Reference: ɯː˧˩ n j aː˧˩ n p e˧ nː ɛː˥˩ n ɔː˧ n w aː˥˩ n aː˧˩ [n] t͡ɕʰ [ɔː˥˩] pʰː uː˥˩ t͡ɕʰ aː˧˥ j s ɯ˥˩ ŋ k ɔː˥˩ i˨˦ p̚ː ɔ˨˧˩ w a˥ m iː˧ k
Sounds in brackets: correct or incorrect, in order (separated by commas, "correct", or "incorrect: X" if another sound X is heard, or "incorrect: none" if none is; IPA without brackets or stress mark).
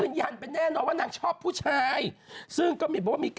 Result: incorrect: ŋ, correct